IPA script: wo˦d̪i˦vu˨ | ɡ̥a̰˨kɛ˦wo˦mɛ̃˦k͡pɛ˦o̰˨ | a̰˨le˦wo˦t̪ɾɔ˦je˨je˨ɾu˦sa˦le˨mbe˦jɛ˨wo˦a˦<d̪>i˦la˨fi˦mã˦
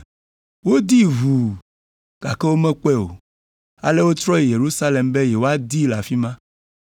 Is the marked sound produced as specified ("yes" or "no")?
yes